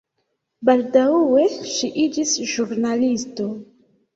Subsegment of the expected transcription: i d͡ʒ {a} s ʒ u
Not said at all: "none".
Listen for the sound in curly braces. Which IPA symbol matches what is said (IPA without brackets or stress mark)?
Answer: i